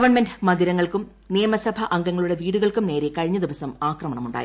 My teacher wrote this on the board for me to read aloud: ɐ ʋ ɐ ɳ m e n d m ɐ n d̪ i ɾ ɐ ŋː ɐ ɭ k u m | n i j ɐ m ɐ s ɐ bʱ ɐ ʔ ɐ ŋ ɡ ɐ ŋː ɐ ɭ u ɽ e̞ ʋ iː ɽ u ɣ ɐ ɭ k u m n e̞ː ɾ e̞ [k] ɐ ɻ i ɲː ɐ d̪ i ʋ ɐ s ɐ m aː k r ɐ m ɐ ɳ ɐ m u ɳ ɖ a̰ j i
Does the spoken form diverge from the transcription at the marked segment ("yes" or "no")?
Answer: no